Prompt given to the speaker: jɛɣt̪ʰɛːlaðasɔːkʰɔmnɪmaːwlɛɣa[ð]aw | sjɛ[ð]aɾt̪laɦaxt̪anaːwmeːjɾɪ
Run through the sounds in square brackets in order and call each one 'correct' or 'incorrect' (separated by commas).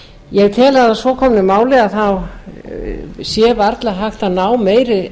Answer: incorrect, incorrect